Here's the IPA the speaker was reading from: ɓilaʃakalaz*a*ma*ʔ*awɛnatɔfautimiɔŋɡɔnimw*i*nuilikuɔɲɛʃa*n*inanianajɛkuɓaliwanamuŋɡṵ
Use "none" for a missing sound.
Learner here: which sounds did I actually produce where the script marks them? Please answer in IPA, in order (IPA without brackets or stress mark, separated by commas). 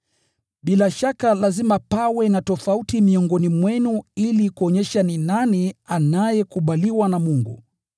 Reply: i, p, ɛ, n